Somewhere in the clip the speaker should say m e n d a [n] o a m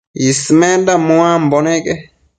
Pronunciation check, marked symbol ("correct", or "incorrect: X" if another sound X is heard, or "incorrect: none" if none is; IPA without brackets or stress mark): incorrect: m